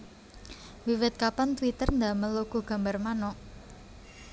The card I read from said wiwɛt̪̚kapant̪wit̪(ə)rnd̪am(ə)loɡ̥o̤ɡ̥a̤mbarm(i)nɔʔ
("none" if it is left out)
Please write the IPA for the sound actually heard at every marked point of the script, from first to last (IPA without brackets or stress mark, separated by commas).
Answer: ə, ə, a